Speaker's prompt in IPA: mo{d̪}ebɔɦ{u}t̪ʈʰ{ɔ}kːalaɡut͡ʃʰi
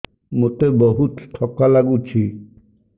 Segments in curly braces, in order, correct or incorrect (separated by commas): incorrect, correct, correct